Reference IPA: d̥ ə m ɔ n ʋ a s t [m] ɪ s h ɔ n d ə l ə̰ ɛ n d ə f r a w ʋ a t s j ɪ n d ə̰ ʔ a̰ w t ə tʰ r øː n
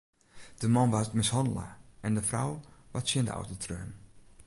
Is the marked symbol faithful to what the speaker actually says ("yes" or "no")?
yes